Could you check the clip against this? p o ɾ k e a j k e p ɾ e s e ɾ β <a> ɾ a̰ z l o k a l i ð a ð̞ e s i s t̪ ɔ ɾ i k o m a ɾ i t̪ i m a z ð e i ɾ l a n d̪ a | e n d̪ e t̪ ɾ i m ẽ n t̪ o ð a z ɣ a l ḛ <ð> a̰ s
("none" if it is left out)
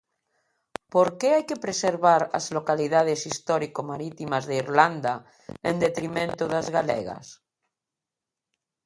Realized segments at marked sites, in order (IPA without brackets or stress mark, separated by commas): a, ɣ